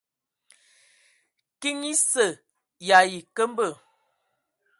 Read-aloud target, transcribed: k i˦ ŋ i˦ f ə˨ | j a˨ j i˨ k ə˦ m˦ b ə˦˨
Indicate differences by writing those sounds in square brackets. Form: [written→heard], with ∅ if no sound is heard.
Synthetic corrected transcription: k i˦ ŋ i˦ [f→s] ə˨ | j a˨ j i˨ k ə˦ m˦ b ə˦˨